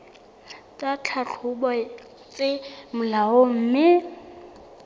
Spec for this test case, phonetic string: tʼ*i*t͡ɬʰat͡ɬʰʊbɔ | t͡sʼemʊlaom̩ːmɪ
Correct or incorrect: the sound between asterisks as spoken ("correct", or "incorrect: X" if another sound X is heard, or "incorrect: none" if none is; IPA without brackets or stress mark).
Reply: incorrect: a